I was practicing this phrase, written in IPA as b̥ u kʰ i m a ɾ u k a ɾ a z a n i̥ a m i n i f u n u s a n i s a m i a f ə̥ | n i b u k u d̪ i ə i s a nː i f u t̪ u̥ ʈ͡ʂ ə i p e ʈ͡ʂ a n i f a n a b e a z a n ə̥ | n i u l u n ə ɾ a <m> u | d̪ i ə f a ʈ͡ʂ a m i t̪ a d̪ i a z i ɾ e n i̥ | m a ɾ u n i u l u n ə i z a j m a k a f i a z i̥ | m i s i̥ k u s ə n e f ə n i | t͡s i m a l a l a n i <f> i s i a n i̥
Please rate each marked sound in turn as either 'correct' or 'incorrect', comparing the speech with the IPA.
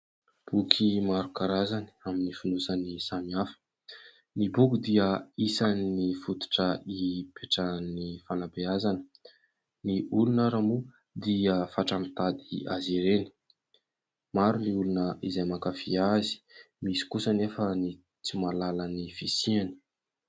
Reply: correct, correct

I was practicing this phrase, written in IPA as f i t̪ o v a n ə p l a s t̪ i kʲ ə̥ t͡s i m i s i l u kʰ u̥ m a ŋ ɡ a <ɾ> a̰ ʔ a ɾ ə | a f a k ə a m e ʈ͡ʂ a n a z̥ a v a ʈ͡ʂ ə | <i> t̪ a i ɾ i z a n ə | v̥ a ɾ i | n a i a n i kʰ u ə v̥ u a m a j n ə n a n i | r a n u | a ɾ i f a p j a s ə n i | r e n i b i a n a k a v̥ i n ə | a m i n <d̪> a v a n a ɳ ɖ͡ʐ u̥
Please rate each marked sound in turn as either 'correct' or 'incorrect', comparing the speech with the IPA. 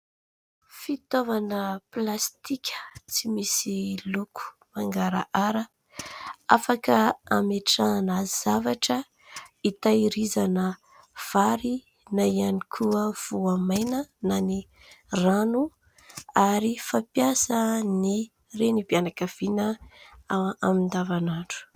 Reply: correct, correct, correct

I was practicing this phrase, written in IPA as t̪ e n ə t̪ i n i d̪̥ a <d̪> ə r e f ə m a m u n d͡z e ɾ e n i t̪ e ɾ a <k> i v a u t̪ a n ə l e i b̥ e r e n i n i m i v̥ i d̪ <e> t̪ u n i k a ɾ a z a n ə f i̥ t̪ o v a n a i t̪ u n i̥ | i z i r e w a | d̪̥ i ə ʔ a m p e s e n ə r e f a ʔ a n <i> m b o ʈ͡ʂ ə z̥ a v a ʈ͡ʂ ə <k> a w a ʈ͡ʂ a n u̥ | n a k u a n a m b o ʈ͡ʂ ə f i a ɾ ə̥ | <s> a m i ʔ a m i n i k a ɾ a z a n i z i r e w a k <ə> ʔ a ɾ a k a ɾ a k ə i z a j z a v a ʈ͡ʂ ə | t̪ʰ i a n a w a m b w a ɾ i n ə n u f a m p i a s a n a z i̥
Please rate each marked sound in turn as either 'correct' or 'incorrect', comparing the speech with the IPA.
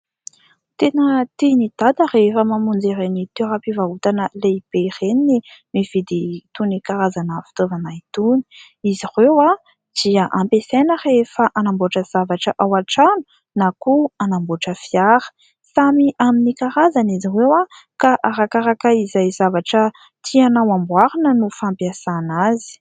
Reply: correct, incorrect: p, incorrect: i, incorrect: a, incorrect: ʔ, correct, incorrect: a

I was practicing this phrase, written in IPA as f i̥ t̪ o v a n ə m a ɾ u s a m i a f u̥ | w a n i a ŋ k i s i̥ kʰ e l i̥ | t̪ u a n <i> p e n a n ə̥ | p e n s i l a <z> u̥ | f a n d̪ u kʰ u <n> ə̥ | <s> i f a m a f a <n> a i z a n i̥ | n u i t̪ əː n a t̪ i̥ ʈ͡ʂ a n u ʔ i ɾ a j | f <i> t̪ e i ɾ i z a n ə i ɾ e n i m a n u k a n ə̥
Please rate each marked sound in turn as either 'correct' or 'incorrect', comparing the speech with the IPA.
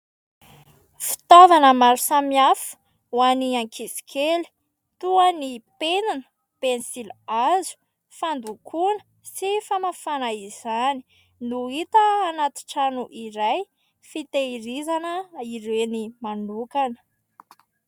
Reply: correct, correct, correct, correct, correct, correct

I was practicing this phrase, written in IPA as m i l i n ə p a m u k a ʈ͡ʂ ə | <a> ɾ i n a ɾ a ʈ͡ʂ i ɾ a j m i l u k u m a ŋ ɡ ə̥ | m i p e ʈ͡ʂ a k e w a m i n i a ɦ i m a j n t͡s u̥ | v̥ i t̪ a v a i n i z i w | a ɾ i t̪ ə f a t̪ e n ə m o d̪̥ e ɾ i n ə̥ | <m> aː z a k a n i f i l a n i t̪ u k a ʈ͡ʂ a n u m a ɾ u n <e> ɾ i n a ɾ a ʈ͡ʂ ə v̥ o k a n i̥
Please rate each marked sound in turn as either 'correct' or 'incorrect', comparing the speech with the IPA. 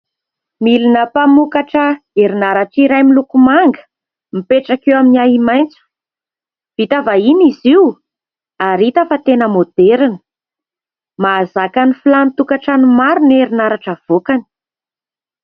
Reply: incorrect: e, correct, correct

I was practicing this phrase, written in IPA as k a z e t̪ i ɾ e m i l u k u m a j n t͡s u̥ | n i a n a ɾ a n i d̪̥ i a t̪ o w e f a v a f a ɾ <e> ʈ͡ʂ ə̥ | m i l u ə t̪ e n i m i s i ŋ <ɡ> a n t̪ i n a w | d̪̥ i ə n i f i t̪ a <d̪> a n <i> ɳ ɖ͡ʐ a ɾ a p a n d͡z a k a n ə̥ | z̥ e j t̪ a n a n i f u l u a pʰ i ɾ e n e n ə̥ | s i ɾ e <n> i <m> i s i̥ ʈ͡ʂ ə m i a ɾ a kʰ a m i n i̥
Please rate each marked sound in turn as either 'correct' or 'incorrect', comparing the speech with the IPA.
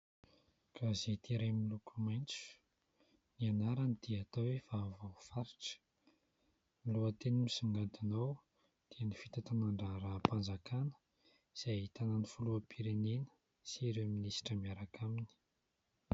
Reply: incorrect: i, correct, incorrect: t̪, incorrect: a, incorrect: m, incorrect: n

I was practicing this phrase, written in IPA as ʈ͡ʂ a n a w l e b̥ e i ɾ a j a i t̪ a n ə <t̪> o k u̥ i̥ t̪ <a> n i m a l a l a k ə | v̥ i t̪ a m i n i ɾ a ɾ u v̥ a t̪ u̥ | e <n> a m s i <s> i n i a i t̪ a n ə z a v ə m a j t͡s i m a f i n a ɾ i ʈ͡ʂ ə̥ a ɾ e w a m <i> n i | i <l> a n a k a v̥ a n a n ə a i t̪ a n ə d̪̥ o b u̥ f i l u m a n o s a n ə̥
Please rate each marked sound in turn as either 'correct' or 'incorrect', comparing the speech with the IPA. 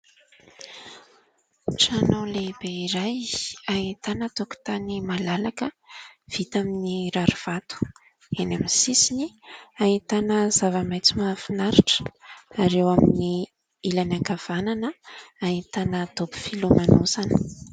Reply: correct, correct, correct, correct, correct, correct

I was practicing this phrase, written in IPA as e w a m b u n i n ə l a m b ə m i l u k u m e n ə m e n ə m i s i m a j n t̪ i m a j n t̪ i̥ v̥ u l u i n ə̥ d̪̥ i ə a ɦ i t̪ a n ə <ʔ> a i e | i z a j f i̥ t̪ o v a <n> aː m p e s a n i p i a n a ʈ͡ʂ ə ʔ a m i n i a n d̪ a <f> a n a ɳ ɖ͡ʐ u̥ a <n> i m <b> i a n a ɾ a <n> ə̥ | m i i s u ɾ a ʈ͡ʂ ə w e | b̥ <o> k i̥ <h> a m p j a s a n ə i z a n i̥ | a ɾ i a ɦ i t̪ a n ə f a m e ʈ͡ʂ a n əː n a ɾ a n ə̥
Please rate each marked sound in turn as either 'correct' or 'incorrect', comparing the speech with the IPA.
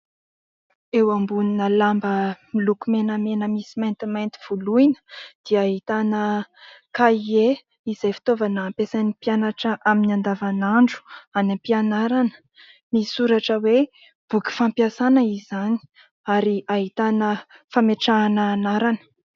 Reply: incorrect: k, correct, incorrect: v, correct, incorrect: p, correct, incorrect: u, incorrect: f

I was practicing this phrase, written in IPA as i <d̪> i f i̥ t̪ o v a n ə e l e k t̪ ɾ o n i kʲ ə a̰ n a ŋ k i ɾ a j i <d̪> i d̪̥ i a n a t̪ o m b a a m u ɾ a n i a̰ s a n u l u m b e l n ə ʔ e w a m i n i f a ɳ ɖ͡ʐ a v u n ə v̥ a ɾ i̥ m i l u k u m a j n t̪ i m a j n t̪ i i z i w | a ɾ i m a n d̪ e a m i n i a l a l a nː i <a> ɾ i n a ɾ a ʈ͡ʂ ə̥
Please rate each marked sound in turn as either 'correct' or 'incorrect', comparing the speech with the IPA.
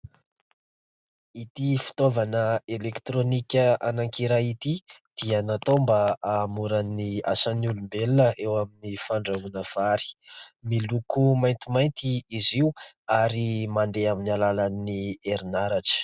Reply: incorrect: t̪, incorrect: t̪, incorrect: e

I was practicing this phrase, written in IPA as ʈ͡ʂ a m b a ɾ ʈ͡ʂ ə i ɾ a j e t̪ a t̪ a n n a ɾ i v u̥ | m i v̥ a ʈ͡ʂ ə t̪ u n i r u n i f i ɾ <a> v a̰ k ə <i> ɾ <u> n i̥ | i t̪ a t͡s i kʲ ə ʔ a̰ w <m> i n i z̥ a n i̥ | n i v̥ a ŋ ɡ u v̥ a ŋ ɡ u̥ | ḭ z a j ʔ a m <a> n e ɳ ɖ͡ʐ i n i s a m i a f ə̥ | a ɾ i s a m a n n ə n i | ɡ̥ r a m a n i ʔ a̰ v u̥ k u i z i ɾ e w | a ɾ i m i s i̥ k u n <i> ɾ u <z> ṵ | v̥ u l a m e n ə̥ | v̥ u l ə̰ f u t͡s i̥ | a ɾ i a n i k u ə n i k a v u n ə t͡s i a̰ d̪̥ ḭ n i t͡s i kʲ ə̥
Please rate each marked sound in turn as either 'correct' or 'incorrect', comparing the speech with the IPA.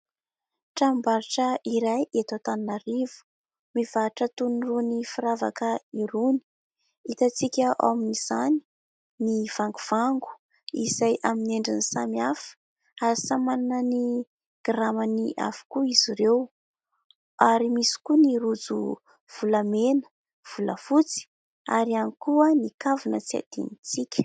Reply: correct, correct, correct, correct, incorrect: i, correct, incorrect: d͡z

